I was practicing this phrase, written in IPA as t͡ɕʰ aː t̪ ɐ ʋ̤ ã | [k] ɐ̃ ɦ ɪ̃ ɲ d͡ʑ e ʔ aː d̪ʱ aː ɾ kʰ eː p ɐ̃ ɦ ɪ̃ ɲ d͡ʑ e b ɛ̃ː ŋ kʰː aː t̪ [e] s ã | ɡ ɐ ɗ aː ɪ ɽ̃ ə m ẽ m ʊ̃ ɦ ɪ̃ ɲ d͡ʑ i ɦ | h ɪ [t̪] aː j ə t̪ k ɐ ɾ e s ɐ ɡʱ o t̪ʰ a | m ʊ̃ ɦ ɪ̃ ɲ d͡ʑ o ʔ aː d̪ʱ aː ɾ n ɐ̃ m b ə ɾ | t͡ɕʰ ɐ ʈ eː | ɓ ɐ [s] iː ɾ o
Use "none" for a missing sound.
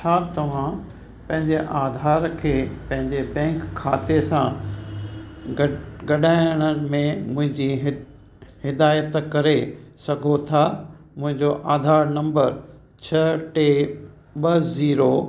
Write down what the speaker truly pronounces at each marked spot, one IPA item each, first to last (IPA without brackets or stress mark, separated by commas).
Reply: p, e, d̪, z